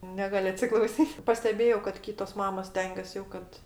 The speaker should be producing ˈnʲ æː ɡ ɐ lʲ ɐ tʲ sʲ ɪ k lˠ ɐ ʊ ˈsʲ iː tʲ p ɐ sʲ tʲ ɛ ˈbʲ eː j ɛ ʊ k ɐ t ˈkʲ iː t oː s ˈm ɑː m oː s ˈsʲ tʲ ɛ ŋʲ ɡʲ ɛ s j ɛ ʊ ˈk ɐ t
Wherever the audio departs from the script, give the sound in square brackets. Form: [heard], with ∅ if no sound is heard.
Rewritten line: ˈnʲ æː ɡ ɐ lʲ ɐ tʲ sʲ ɪ k lˠ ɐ ʊ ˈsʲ iː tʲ p ɐ sʲ tʲ ɛ ˈbʲ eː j ɛ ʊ k ɐ t ˈkʲ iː t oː s ˈm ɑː m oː s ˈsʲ tʲ ɛ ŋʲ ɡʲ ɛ s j ɛ ʊ ˈk ɐ t